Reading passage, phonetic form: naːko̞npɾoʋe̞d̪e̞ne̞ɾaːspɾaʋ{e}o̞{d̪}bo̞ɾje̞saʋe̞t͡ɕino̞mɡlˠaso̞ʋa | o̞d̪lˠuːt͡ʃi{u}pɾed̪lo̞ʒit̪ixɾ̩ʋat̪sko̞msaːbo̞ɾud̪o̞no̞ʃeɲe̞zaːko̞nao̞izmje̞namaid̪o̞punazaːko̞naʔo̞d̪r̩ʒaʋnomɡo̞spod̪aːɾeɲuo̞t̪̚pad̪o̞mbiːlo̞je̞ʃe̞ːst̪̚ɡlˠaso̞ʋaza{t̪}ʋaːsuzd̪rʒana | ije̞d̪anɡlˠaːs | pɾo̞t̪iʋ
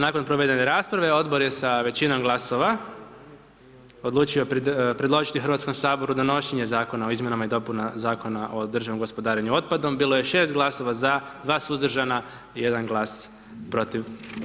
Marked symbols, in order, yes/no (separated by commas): yes, yes, no, no